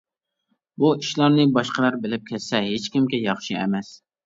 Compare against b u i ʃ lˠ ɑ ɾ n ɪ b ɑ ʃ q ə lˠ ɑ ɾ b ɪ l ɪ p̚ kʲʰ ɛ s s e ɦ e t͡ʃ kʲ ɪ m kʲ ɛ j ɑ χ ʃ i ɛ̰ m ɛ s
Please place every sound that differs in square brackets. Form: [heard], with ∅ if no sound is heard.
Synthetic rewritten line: b u i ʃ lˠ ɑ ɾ n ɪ b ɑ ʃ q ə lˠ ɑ ɾ b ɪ l ɪ p̚ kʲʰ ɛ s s [ɛ] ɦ e t͡ʃ kʲ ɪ m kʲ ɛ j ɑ χ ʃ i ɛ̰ m ɛ s